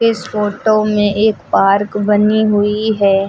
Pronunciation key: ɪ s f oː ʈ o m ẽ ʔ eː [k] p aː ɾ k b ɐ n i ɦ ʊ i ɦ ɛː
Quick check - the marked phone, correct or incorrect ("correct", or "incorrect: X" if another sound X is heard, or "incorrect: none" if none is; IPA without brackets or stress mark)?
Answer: correct